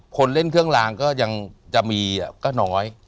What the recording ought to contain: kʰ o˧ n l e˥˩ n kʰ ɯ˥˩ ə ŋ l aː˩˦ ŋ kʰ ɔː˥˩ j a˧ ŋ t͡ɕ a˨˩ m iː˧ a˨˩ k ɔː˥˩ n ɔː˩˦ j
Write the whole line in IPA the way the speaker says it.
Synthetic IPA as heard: kʰ o˧ n l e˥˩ n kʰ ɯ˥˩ ə ŋ l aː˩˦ ŋ k ɔː˥˩ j a˧ ŋ t͡ɕ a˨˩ m iː˧ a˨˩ k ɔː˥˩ n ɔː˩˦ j